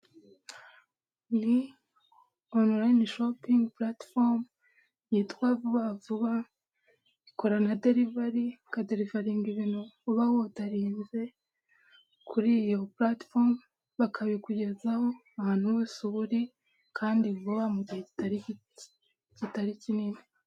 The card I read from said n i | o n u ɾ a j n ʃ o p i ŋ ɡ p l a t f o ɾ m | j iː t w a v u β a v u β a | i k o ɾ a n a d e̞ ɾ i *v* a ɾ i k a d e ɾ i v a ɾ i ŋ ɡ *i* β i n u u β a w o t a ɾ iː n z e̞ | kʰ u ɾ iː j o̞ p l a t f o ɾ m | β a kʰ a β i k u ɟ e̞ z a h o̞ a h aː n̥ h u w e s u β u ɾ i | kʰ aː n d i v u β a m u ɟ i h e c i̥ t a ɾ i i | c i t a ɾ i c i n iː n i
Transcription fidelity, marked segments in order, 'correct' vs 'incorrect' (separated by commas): correct, correct